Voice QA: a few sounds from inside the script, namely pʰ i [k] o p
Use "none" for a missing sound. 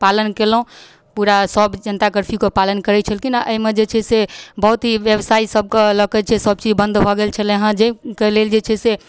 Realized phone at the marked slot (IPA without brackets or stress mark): k